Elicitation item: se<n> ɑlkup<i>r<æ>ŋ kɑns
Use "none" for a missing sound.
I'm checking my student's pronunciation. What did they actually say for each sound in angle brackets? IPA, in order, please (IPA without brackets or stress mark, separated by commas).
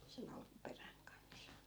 n, e, æ